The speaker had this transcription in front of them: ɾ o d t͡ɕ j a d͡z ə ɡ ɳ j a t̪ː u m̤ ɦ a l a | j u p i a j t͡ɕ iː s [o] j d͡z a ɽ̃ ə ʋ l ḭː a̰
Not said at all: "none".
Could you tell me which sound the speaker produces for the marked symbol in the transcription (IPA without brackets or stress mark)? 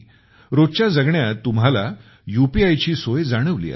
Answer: o